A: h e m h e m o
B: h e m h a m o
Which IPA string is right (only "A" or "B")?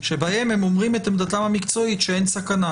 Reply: A